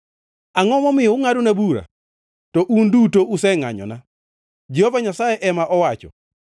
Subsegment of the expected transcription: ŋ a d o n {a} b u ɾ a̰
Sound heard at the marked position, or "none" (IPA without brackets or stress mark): a